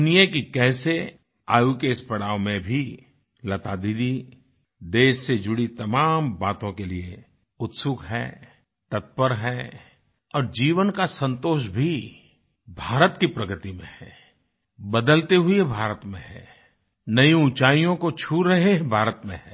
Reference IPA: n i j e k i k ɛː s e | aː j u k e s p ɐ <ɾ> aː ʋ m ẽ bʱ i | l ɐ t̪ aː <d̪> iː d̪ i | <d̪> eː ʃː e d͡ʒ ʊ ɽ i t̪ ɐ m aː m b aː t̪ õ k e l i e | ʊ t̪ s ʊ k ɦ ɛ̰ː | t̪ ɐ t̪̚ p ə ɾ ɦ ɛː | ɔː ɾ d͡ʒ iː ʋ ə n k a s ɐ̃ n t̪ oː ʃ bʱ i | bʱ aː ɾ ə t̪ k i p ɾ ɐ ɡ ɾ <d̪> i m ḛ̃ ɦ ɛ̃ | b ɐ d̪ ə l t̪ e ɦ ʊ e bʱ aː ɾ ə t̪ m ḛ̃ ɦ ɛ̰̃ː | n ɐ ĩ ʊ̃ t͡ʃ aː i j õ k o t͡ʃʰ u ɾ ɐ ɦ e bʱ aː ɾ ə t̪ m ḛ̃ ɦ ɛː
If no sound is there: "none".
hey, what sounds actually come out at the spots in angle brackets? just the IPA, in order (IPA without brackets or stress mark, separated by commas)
ɽ, d̪, d̪, t̪